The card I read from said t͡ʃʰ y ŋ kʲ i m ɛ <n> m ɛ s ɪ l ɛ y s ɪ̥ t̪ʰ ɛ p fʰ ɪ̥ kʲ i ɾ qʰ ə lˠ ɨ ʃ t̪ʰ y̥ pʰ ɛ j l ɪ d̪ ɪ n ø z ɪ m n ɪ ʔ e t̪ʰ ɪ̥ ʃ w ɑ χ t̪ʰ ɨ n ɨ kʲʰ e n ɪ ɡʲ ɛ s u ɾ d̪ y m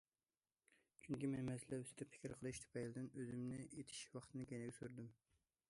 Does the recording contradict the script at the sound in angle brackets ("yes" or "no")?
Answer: no